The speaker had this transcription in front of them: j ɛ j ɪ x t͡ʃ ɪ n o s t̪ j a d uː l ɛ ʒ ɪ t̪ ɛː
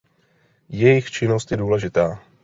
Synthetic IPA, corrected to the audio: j ɛ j ɪ x t͡ʃ ɪ n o s t̪ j ɛ d uː l ɛ ʒ ɪ t̪ aː